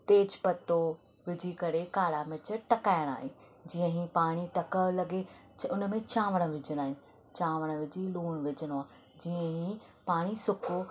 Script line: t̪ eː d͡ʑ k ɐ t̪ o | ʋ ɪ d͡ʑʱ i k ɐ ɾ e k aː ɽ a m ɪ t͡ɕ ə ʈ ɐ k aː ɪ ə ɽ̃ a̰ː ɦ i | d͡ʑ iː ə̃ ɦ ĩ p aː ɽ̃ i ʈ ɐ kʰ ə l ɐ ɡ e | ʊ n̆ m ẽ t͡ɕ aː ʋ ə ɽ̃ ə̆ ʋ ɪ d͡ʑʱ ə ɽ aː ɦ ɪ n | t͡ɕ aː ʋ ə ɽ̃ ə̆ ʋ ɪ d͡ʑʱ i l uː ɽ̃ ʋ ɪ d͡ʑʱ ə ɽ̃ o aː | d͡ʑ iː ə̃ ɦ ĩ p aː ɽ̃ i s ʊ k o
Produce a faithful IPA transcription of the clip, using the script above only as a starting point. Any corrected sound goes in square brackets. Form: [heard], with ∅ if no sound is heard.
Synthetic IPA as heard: t̪ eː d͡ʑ [p] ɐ t̪ o | ʋ ɪ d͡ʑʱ i k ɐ ɾ e k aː ɽ a m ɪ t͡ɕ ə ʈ ɐ k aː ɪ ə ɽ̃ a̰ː ɦ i | d͡ʑ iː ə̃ ɦ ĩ p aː ɽ̃ i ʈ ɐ [k] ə l ɐ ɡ e | ʊ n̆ m ẽ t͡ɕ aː ʋ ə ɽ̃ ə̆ ʋ ɪ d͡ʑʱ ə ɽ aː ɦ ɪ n | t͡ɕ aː ʋ ə ɽ̃ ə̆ ʋ ɪ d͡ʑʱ i l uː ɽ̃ ʋ ɪ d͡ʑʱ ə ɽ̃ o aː | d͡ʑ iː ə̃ ɦ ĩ p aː ɽ̃ i s ʊ k o

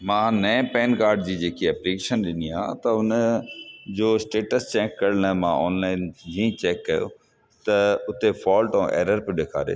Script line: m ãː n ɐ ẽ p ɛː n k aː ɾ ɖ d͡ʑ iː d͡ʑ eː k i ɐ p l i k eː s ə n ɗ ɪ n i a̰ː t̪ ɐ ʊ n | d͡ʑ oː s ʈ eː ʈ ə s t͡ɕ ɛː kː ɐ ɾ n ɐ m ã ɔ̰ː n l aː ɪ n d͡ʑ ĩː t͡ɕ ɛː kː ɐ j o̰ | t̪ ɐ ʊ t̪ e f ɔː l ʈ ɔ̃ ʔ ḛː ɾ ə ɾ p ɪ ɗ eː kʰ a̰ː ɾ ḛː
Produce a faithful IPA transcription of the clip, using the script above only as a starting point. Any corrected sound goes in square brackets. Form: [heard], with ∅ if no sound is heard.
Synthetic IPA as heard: m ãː n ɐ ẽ p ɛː n k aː ɾ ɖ d͡ʑ iː d͡ʑ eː k i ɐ p l i k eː [ʃ] ə n ɗ ɪ n i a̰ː t̪ ɐ ʊ n | d͡ʑ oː s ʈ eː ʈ ə s t͡ɕ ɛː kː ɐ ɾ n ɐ m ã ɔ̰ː n l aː ɪ n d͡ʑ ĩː t͡ɕ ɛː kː ɐ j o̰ | t̪ ɐ ʊ t̪ e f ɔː l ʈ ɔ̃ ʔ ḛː ɾ ə ɾ p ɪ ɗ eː kʰ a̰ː ɾ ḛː

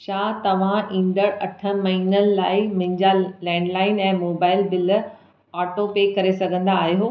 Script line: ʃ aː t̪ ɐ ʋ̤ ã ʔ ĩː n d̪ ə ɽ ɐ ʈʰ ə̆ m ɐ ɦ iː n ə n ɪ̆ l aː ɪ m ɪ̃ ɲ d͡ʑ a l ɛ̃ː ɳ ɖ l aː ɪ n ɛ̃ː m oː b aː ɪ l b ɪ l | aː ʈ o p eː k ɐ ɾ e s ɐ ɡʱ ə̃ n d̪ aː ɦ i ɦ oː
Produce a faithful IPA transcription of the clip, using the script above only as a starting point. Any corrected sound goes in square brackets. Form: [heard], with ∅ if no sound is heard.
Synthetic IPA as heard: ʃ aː t̪ ɐ ʋ̤ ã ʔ ĩː n d̪ ə ɽ ɐ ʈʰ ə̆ m ɐ ɦ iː n ə n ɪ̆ l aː ɪ m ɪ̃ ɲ d͡ʑ a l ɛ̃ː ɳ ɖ l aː ɪ n ɛ̃ː m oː b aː ɪ l b ɪ l | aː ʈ o p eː k ɐ ɾ e s ɐ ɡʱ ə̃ n d̪ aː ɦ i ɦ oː

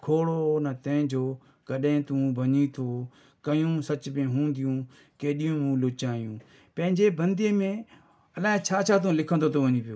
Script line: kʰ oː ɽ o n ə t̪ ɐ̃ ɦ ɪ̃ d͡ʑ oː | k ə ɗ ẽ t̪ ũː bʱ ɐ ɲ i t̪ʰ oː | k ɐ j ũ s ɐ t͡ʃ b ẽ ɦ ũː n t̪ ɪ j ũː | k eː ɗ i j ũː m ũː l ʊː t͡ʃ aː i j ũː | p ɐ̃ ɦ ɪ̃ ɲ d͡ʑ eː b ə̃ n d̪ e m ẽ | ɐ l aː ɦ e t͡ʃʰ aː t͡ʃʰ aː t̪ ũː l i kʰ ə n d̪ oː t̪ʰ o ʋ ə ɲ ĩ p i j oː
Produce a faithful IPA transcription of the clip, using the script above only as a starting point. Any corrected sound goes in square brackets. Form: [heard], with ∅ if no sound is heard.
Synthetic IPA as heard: kʰ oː ɽ o n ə t̪ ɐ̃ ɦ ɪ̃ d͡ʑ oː | k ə ɗ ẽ t̪ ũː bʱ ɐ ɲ i t̪ʰ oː | k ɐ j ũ s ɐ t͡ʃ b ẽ ɦ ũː n [d̪] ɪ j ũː | k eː ɗ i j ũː m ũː l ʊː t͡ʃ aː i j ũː | p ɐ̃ ɦ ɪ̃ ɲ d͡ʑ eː b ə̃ n d̪ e m ẽ | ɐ l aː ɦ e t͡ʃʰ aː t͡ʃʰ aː t̪ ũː l [ɪ] kʰ ə n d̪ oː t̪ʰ o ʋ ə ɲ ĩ p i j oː

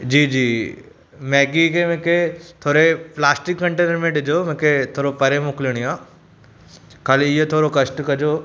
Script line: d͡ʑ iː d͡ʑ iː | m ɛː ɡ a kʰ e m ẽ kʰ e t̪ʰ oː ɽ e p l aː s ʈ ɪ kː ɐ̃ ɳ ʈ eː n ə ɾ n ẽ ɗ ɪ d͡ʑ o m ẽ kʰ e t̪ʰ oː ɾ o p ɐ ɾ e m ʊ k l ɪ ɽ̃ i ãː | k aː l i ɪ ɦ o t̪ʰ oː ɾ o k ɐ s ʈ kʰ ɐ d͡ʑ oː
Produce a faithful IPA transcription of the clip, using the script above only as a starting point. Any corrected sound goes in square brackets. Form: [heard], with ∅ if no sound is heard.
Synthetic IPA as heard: d͡ʑ iː d͡ʑ iː | m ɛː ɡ [i] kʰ e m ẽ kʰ e t̪ʰ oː [ɾ] e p l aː s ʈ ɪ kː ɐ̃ ɳ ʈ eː n ə ɾ [m] ẽ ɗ ɪ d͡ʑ o m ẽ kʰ e t̪ʰ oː ɾ o p ɐ ɾ e m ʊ k l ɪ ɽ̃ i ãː | k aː l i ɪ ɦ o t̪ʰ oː ɾ o k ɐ s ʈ [k] ɐ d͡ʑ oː

